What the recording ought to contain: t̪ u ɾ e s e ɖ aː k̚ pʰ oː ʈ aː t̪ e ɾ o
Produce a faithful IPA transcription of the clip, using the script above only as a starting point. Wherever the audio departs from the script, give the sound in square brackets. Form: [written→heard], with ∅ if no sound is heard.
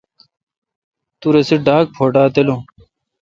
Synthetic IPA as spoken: t̪ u ɾ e s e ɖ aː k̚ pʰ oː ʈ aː t̪ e [ɾ→l] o